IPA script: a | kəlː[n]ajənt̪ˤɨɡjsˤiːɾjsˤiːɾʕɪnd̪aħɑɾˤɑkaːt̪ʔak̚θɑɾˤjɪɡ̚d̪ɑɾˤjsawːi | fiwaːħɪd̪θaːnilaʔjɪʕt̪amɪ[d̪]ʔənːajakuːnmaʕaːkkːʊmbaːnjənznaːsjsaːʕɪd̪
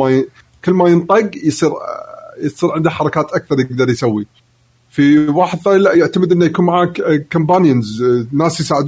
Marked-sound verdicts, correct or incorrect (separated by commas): incorrect, correct